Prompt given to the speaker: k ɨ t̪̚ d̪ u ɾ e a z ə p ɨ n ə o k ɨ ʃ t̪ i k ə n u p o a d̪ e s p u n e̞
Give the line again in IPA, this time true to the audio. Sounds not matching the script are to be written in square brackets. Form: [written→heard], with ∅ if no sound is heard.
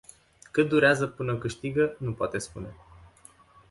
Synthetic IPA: k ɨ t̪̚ d̪ u ɾ e a z ə p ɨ n ə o k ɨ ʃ t̪ i [k→ɡ] ə n u p o a [d̪→t̪] e s p u n e̞